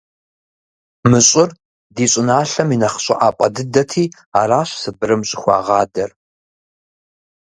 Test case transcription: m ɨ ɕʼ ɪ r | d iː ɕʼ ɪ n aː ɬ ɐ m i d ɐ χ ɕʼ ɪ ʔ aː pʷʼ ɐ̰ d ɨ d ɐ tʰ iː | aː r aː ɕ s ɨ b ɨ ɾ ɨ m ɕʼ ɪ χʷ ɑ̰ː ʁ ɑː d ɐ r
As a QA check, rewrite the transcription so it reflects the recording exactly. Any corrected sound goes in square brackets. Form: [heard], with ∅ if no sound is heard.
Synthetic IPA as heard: m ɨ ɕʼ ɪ r | d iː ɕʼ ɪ n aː ɬ ɐ m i [n] ɐ χ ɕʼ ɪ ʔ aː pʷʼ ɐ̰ d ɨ d ɐ tʰ iː | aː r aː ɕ s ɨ b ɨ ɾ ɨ m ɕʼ ɪ [xʷ] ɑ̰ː ʁ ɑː d ɐ r